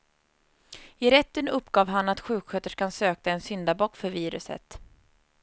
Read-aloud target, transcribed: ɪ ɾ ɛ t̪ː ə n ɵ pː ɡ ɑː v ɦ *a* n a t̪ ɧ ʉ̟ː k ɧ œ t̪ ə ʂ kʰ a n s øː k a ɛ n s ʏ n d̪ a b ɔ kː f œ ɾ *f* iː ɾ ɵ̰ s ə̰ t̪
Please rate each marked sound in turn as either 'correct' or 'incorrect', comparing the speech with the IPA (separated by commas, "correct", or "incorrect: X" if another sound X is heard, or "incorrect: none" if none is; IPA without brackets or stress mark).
correct, incorrect: v